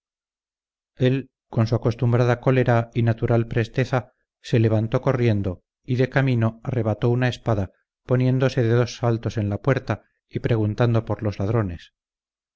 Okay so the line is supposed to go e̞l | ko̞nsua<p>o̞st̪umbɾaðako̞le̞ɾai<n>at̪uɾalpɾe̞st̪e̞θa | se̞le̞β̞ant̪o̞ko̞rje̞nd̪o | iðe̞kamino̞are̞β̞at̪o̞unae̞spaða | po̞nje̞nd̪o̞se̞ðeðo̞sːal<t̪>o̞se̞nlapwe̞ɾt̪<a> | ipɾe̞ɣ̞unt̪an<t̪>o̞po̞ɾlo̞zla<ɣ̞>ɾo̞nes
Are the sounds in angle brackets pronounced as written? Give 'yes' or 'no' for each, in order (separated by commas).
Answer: no, yes, yes, yes, no, no